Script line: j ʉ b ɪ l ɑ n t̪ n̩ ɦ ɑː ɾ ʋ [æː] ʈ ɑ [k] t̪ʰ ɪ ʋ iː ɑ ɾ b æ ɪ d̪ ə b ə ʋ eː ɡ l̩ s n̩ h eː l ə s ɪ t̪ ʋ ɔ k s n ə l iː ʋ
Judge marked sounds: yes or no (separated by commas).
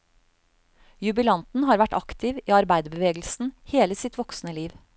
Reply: no, yes